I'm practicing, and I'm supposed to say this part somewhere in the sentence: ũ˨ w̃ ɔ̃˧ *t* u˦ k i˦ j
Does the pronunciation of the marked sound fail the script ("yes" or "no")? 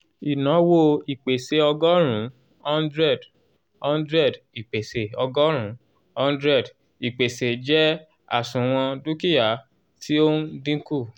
yes